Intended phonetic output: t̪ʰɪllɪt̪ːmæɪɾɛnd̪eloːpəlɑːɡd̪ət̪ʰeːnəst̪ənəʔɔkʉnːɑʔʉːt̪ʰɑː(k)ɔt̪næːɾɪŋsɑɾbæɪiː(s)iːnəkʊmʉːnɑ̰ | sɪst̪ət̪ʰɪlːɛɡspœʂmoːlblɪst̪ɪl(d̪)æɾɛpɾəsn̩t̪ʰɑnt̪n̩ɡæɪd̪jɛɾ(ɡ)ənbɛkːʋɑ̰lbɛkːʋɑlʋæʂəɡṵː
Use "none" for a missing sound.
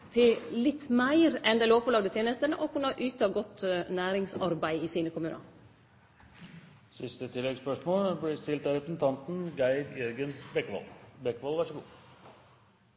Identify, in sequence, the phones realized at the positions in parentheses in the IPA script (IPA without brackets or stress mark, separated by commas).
ɡ, s, t̪, ɡ